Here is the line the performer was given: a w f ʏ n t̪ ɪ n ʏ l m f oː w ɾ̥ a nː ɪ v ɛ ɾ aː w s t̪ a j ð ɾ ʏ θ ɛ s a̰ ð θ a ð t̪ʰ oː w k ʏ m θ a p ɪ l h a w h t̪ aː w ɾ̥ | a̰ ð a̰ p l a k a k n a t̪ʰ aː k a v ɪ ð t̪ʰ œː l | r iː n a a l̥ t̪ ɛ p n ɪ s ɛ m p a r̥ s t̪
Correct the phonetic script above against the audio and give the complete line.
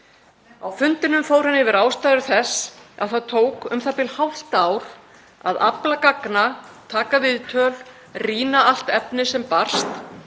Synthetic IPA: a w f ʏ n t̪ ɪ n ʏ m f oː w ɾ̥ a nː ɪ v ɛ ɾ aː w s t̪ a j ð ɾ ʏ θ ɛ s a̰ ð θ a ð t̪ʰ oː w k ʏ m θ a p ɪ l h a w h t̪ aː w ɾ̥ | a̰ ð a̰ p l a k a k n a t̪ʰ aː k a v ɪ ð t̪ʰ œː l | r iː n a a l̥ t̪ ɛ p n ɪ s ɛ m p a r̥ s t̪